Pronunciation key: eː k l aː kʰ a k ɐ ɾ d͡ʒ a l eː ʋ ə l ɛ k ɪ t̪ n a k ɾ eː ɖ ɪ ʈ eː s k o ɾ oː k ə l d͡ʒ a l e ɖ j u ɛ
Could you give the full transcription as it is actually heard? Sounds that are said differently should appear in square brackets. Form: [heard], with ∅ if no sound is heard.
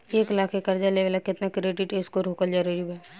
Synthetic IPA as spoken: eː k l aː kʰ [e] k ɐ ɾ d͡ʒ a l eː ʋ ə l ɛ k ɪ t̪ n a k ɾ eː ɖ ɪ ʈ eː s k o ɾ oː k ə l d͡ʒ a [ɾ] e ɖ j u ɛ